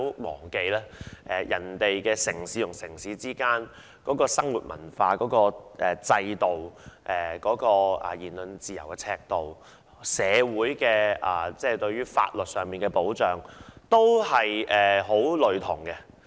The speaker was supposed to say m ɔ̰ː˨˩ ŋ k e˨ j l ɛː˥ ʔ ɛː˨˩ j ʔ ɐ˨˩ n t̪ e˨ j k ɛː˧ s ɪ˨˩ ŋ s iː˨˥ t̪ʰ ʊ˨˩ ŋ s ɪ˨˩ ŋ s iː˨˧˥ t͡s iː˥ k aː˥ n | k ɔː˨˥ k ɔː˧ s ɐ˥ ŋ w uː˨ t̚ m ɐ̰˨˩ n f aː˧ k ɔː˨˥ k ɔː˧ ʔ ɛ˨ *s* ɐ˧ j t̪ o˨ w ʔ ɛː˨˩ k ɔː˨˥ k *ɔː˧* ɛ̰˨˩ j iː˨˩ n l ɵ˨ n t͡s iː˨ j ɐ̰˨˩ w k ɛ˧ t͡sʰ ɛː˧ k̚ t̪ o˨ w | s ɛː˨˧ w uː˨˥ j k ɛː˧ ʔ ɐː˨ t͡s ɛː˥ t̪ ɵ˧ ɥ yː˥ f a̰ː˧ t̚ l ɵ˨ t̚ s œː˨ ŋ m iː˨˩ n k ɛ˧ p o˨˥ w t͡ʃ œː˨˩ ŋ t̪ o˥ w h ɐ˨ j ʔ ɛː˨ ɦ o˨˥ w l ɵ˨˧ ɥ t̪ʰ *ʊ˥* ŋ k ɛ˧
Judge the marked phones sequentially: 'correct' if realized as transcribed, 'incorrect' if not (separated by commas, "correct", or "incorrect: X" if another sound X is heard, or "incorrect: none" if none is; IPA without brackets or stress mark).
incorrect: t͡s, correct, incorrect: ʊ˨˩